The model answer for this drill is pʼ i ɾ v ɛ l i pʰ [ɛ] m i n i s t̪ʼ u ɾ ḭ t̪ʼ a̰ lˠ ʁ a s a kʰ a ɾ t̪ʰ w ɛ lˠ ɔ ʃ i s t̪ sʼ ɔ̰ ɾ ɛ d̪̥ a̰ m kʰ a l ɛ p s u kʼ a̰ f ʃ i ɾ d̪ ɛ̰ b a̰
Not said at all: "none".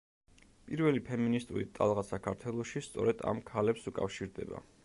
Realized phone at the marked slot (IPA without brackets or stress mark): ɛ